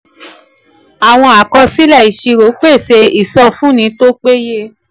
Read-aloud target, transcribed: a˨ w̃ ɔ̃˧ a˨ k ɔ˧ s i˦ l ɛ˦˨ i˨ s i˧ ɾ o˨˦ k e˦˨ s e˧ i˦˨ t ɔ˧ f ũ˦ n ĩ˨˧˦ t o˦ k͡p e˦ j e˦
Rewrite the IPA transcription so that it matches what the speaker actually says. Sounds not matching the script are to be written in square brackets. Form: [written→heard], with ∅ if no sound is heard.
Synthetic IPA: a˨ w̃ ɔ̃˧ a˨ k ɔ˧ s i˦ l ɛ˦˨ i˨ [s→ʃ] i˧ ɾ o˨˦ [k→k͡p] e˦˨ s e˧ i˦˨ [t→s] ɔ˧ f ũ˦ n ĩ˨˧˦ t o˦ k͡p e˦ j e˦